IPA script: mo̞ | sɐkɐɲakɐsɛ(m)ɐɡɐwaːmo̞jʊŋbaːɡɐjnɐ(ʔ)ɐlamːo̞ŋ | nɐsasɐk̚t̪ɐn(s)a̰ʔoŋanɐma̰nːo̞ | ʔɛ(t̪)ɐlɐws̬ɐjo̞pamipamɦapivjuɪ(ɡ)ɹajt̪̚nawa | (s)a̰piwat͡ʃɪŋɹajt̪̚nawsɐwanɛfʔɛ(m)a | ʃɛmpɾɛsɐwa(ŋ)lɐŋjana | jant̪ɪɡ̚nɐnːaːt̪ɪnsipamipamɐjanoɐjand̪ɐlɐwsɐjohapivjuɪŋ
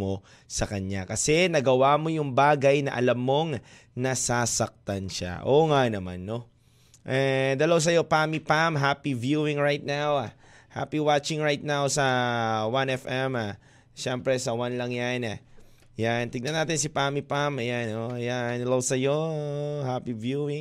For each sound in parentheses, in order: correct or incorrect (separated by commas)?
incorrect, correct, incorrect, incorrect, incorrect, incorrect, correct, incorrect